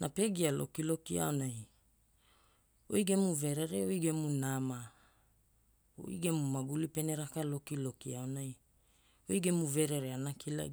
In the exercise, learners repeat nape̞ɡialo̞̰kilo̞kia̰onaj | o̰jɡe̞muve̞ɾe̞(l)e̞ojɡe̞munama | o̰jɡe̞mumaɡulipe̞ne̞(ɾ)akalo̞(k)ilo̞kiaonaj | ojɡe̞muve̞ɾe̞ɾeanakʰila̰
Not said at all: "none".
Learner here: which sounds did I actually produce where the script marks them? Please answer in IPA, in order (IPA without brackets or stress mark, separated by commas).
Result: ɾ, ɾ, k